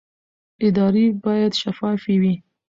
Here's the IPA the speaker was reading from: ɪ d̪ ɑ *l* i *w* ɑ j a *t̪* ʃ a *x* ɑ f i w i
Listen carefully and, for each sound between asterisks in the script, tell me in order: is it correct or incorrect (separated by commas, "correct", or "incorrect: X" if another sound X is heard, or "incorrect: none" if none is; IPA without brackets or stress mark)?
incorrect: ɾ, incorrect: b, incorrect: d̪, incorrect: f